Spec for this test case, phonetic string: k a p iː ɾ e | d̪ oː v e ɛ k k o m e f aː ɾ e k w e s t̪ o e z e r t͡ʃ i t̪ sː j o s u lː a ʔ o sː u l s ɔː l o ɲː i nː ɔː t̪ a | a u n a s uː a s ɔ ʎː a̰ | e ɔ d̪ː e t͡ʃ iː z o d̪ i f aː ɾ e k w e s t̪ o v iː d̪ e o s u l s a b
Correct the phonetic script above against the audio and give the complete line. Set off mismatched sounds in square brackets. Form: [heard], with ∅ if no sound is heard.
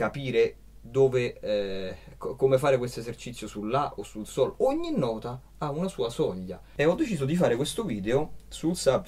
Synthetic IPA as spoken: k a p iː ɾ e | d̪ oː v e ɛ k k o m e f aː ɾ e k w e s t̪ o e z e r t͡ʃ i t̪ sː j o s u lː a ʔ o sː u l s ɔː l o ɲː i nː ɔː t̪ a | a u n a s uː a s ɔ ʎː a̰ | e ɔ d̪ː e t͡ʃ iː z o d̪ i f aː ɾ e k w e s t̪ o v iː d̪ e o s u l s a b